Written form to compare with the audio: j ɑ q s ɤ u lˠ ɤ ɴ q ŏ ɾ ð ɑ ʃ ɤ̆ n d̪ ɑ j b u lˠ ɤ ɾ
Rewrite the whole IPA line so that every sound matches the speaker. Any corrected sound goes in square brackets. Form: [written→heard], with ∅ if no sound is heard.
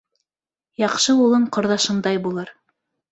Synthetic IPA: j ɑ q [s→ʃ] ɤ u lˠ ɤ ɴ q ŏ ɾ ð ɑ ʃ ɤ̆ n d̪ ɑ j b u lˠ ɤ ɾ

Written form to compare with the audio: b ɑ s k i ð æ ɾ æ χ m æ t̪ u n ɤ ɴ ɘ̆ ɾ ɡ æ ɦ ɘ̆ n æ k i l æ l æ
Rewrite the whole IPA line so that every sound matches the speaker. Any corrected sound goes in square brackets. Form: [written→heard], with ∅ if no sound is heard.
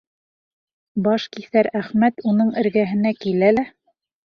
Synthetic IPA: b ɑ [s→ʃ] k i [ð→θ] æ ɾ æ χ m æ t̪ u n ɤ ɴ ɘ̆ ɾ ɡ æ ɦ ɘ̆ n æ k i l æ l æ

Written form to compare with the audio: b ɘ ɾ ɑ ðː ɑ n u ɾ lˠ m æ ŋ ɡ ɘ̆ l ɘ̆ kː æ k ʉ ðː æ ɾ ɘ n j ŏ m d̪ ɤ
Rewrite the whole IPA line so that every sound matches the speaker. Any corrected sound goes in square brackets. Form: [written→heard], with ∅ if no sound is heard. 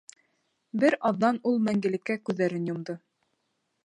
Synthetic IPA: b ɘ ɾ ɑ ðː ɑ n u [ɾ→∅] lˠ m æ ŋ ɡ ɘ̆ l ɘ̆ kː æ k ʉ ðː æ ɾ ɘ n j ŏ m d̪ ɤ

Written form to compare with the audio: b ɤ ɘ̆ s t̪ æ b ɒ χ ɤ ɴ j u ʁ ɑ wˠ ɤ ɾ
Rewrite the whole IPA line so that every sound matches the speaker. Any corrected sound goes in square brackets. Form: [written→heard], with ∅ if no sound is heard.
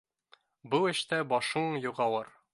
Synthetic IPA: b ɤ ɘ̆ [s→ʃ] t̪ æ b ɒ [χ→ʃ] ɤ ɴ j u ʁ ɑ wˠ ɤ ɾ

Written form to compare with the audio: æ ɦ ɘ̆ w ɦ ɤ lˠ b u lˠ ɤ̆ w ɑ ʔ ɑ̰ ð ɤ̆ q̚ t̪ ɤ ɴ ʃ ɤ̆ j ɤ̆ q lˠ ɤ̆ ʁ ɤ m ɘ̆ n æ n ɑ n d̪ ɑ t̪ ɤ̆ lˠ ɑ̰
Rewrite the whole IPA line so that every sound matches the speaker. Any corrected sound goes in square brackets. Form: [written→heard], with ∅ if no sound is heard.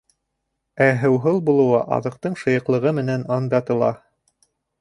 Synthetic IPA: æ ɦ ɘ̆ w ɦ ɤ lˠ b u lˠ ɤ̆ w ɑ ʔ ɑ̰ ð ɤ̆ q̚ t̪ ɤ ɴ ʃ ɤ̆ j ɤ̆ q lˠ ɤ̆ ʁ ɤ m ɘ̆ n æ n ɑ n d̪ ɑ t̪ ɤ̆ lˠ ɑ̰

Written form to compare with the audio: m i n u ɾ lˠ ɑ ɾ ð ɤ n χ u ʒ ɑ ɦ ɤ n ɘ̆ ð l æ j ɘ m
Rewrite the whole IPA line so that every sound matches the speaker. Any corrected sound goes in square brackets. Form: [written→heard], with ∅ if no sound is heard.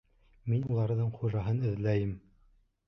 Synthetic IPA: m i n u [ɾ→∅] lˠ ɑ ɾ ð ɤ [n→ɴ] χ u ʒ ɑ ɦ ɤ n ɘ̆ ð l æ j ɘ m

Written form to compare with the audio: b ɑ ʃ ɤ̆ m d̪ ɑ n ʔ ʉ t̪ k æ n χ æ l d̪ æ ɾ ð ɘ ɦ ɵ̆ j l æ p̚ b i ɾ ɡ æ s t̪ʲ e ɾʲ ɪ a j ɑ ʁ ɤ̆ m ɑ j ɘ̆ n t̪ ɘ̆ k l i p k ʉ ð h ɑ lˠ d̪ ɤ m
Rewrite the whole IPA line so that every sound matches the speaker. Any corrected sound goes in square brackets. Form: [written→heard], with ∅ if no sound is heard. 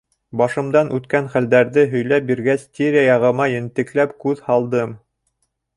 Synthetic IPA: b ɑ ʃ ɤ̆ m d̪ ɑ n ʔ ʉ t̪ k æ n χ æ l d̪ æ ɾ ð ɘ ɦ ɵ̆ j l æ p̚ b i ɾ ɡ æ s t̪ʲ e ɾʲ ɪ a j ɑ ʁ ɤ̆ m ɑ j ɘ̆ n t̪ ɘ̆ k l [i→æ] p k ʉ ð h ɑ lˠ d̪ ɤ m

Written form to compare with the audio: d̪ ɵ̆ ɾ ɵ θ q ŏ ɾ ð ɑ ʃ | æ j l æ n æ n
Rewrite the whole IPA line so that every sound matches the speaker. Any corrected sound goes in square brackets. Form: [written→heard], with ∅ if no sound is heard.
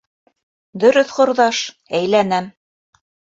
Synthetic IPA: d̪ ɵ̆ ɾ ɵ θ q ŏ ɾ ð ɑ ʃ | æ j l æ n æ [n→m]

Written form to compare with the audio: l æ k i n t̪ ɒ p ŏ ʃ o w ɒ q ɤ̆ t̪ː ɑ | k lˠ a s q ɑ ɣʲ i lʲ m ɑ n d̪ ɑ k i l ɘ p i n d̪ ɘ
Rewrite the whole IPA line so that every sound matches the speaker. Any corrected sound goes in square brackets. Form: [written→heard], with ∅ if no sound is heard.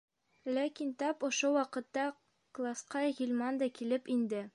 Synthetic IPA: l æ k i n t̪ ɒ p ŏ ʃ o w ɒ q ɤ̆ t̪ː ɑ | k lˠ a s q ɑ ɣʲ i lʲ m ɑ n d̪ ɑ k i l ɘ p i n d̪ ɘ

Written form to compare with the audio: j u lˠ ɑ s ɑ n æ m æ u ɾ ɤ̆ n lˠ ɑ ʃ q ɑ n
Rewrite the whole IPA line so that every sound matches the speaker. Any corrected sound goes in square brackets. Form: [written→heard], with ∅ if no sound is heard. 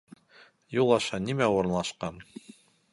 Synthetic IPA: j u lˠ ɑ [s→ʃ] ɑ n [æ→i] m æ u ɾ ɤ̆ n lˠ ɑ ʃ q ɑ n

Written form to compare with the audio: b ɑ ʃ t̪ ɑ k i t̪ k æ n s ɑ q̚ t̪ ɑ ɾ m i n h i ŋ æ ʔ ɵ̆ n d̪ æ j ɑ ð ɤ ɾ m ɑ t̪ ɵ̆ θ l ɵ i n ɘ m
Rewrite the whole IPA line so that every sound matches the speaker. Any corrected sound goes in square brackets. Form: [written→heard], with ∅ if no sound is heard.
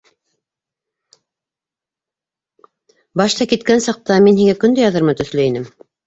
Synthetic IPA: b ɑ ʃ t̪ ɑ k i t̪ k æ n s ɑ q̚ t̪ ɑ [ɾ→∅] m i n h i ŋ æ [ʔ→k] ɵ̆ n d̪ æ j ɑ ð ɤ ɾ m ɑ t̪ ɵ̆ θ l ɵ i n ɘ m

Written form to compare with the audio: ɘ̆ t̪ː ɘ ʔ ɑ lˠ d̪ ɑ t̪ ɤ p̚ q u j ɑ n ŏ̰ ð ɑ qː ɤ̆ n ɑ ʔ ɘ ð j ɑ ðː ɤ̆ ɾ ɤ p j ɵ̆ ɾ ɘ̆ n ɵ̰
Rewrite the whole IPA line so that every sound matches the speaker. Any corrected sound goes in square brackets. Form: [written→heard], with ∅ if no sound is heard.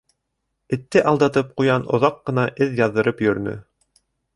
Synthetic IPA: ɘ̆ t̪ː ɘ ʔ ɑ lˠ d̪ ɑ t̪ ɤ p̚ q u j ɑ n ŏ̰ ð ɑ qː ɤ̆ n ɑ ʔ ɘ ð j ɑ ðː ɤ̆ ɾ ɤ p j ɵ̆ ɾ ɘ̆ n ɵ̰

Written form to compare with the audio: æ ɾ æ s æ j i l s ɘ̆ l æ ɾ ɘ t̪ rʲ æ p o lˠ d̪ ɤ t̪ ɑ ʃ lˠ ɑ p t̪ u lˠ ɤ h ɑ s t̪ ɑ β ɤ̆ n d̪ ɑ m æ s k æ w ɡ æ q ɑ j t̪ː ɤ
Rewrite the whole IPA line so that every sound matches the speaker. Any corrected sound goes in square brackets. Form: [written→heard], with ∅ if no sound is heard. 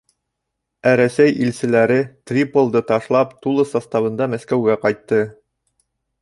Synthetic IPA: æ ɾ æ s æ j i l s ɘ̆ l æ ɾ ɘ t̪ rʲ [æ→i] p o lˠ d̪ ɤ t̪ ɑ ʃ lˠ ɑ p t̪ u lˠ ɤ [h→s] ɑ s t̪ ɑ β ɤ̆ n d̪ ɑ m æ s k æ w ɡ æ q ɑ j t̪ː ɤ

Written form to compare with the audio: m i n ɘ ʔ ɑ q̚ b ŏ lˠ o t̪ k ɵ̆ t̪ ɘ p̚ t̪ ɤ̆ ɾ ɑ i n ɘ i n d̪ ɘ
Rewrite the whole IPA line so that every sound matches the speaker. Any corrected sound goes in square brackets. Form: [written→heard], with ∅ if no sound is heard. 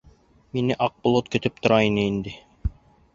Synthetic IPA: m i n ɘ ʔ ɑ q̚ b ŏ lˠ o t̪ k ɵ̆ t̪ ɘ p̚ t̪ [ɤ̆→ŏ] ɾ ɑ i n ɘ i n d̪ ɘ

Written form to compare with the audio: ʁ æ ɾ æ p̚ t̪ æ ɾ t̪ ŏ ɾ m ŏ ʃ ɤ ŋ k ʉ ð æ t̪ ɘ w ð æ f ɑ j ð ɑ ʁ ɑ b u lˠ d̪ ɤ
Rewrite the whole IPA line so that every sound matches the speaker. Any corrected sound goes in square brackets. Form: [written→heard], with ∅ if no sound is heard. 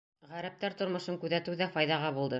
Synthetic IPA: ʁ æ ɾ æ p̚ t̪ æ ɾ t̪ ŏ ɾ m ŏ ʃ ɤ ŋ k ʉ ð æ t̪ ɘ w ð æ f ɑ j ð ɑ ʁ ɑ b u lˠ d̪ ɤ

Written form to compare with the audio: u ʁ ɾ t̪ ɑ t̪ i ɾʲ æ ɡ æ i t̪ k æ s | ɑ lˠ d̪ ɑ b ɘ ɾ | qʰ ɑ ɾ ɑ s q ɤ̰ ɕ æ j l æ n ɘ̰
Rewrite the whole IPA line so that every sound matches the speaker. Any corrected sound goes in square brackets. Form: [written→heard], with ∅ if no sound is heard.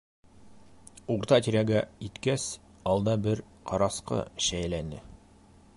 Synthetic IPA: u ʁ ɾ t̪ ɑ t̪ i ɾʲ æ ɡ æ i t̪ k æ s | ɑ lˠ d̪ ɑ b ɘ ɾ | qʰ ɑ ɾ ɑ s q ɤ̰ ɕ æ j l æ n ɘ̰

